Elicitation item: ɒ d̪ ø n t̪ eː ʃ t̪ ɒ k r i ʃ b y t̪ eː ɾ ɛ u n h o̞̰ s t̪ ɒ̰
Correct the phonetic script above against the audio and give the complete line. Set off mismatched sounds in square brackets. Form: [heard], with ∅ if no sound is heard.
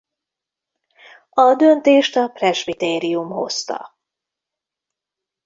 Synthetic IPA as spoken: ɒ d̪ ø n t̪ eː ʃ t̪ ɒ [p] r [ɛ] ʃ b [i] t̪ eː ɾ [i] u [m] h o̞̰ s t̪ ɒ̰